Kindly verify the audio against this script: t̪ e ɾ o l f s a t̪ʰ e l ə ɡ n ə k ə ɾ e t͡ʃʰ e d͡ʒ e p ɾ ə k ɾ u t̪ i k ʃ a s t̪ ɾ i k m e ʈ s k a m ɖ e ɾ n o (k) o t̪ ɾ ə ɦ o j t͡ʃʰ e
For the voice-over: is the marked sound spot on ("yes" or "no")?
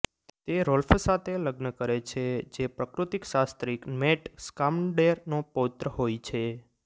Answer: no